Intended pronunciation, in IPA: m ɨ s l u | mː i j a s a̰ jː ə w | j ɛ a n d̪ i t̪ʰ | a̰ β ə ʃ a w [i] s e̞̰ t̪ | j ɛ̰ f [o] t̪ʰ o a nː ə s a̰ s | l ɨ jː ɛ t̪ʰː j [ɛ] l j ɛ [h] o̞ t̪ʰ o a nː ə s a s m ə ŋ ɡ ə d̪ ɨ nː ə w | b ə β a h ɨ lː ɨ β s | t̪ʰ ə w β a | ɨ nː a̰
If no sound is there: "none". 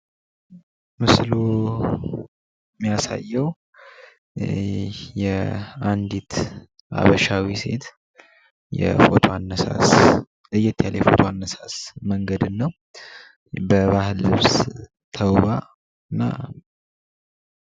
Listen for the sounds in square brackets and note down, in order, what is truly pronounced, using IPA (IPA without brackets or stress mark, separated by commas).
i, o, a, f